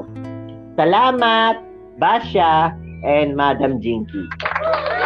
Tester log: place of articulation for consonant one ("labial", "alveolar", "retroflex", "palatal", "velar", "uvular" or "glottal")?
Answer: alveolar